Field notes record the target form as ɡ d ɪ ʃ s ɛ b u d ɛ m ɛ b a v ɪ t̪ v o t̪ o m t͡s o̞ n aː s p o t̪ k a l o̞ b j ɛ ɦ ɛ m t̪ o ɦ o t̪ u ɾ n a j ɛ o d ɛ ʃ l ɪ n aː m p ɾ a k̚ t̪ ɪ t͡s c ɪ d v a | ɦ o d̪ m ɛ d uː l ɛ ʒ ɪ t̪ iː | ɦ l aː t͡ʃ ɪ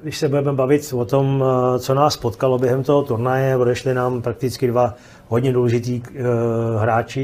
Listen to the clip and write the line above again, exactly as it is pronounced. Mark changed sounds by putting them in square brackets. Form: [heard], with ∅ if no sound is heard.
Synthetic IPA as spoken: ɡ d ɪ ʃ s ɛ b u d ɛ m ɛ b a v ɪ t̪ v o t̪ o m t͡s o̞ n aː s p o t̪ k a l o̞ b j ɛ ɦ ɛ m t̪ o ɦ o t̪ u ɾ n a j ɛ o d ɛ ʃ l ɪ n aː m p ɾ a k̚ t̪ ɪ t͡s [k] ɪ d v a | ɦ o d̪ [ɲ] ɛ d uː l ɛ ʒ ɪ t̪ iː | ɦ [ɾ] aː t͡ʃ ɪ